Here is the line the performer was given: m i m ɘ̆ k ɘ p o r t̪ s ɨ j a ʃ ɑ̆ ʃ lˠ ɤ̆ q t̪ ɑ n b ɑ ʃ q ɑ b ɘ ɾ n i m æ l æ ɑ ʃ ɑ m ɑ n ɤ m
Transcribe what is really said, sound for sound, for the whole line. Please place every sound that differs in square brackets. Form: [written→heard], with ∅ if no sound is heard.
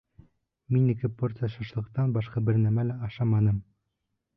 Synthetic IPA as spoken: m i [m→n] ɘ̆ k ɘ p o r t̪ s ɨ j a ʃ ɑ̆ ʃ lˠ ɤ̆ q t̪ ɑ n b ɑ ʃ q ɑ b ɘ ɾ n [i→æ] m æ l æ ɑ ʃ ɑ m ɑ n ɤ m